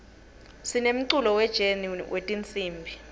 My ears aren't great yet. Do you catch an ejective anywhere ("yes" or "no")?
yes